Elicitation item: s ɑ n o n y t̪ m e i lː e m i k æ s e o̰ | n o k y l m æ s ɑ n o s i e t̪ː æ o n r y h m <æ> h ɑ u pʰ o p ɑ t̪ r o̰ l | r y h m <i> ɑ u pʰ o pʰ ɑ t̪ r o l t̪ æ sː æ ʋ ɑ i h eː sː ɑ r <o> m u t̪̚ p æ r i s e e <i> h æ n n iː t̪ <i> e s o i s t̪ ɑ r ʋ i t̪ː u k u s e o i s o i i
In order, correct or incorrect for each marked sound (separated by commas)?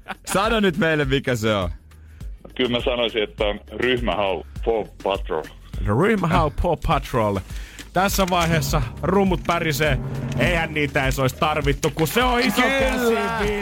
correct, incorrect, incorrect, correct, incorrect